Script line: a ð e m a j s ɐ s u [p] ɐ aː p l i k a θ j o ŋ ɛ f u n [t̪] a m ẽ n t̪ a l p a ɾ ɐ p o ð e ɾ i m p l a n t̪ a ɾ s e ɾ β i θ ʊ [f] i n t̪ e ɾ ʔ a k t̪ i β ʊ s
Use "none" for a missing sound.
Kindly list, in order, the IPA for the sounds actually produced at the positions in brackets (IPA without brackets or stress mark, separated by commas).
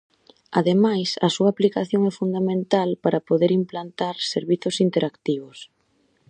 none, d̪, s